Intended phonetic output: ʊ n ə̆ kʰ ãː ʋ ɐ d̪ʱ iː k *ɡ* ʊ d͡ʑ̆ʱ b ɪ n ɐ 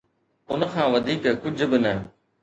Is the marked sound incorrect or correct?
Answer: incorrect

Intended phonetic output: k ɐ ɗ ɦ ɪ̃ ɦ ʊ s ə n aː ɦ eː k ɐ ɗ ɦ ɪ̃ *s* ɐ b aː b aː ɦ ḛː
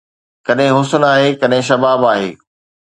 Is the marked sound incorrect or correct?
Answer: incorrect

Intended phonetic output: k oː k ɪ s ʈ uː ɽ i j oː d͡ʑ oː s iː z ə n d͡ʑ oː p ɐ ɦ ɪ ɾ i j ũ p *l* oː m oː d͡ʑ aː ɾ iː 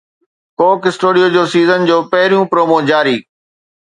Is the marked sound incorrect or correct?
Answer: incorrect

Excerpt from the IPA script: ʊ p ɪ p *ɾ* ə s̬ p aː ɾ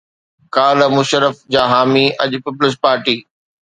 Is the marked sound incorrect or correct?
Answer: incorrect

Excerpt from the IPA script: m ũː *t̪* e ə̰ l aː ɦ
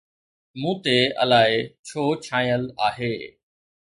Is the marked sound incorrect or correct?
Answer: correct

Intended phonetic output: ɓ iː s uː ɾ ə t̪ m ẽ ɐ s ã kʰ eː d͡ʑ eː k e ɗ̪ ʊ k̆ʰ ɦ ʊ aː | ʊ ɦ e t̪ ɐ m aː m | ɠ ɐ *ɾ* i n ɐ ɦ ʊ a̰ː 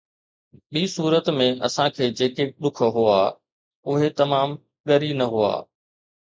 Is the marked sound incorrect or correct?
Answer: correct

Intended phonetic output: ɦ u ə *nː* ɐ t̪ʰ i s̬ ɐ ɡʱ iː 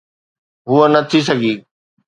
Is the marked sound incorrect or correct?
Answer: incorrect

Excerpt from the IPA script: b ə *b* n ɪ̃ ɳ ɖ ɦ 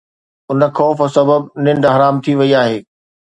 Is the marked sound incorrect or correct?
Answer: correct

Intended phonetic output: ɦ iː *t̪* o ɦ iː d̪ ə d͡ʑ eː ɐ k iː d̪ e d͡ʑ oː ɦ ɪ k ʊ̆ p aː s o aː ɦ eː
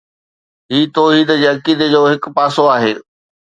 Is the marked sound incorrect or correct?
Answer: correct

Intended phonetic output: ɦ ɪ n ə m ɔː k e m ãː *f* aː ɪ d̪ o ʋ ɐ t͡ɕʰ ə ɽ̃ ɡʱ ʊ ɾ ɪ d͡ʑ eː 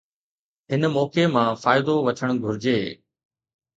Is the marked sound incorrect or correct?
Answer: correct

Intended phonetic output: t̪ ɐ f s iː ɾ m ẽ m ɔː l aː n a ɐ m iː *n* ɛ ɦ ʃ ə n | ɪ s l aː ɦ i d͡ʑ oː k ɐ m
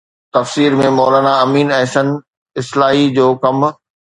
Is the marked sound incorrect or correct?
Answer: correct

